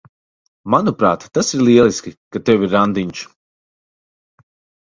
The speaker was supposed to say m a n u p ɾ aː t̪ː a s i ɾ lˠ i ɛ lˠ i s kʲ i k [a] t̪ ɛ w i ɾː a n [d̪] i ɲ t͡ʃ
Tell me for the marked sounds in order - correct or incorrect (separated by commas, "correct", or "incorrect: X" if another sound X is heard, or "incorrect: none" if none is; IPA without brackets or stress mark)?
correct, correct